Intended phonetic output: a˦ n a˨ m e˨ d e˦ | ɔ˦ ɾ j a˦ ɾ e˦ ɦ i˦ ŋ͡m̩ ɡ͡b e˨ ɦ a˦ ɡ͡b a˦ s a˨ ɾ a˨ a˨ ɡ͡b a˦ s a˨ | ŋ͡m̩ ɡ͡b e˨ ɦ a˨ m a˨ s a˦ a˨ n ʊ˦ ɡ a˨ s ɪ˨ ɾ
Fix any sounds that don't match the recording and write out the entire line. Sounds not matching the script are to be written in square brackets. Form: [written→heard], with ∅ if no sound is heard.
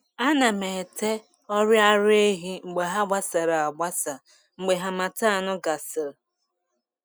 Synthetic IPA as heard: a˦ n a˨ m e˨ [d→t] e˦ | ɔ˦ ɾ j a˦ ɾ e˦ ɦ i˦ ŋ͡m̩ ɡ͡b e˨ ɦ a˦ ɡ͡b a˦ s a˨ ɾ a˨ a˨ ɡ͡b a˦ s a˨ | ŋ͡m̩ ɡ͡b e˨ ɦ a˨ m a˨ [s→t] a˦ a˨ n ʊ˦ ɡ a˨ s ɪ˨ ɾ